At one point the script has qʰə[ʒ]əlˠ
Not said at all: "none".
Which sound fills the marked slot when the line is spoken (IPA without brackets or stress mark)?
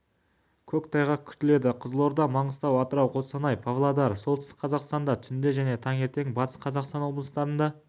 z